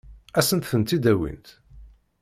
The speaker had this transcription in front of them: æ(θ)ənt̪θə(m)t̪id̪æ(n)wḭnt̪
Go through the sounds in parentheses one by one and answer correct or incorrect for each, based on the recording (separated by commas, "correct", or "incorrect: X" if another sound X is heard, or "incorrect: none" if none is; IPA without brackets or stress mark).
incorrect: s, incorrect: n, incorrect: none